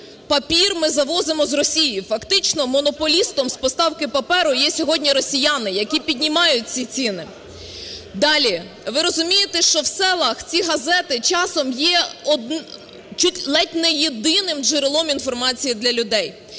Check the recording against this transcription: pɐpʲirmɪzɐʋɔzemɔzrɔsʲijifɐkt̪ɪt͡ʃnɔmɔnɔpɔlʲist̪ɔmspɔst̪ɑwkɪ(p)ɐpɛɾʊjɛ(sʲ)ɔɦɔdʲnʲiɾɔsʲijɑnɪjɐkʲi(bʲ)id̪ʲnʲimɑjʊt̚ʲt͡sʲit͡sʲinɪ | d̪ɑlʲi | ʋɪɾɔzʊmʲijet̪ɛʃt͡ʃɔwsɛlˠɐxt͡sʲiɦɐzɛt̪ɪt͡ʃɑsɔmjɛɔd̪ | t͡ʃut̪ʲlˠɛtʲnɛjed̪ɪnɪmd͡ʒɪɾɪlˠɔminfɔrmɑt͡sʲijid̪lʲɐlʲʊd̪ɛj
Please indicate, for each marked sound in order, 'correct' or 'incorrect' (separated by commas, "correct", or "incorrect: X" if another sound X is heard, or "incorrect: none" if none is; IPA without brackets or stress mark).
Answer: correct, correct, incorrect: pʲ